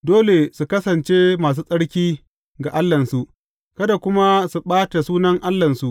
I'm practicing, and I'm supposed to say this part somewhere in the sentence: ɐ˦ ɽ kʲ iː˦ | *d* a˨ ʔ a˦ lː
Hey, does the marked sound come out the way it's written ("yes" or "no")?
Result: no